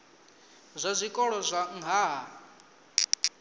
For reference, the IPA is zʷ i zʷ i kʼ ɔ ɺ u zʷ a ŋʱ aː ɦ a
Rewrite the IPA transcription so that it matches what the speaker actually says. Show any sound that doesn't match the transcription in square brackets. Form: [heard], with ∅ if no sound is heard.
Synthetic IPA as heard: zʷ [a] zʷ i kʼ ɔ ɺ [ɔ] zʷ a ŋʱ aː ɦ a